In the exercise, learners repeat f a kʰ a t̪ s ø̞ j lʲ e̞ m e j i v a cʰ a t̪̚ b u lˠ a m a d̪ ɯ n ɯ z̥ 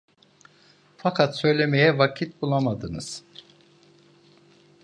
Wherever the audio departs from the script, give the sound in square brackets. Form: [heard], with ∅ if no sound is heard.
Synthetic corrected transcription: f a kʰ a t̪ s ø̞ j lʲ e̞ m e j [ɛ] v a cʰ [i] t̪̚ b u lˠ a m a d̪ ɯ n ɯ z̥